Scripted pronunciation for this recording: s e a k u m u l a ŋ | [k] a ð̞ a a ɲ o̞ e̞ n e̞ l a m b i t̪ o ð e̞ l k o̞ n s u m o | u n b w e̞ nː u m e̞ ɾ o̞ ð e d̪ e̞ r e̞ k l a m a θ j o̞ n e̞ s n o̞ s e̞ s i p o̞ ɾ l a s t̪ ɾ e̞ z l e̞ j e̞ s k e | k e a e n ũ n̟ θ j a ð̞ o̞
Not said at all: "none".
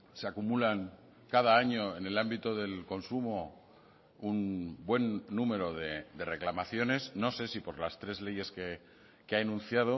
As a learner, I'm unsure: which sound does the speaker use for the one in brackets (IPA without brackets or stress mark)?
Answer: k